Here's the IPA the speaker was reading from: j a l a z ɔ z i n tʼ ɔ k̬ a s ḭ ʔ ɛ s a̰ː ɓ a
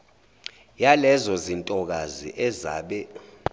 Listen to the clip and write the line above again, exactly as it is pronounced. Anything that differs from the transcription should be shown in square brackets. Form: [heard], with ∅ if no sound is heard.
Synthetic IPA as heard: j a l [ɛ] z ɔ z i n tʼ ɔ k̬ a [z] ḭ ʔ ɛ [z] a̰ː ɓ [ɛ]